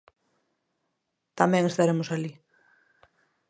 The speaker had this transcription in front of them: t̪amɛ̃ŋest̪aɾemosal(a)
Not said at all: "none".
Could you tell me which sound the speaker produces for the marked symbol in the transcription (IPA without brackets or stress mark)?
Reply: i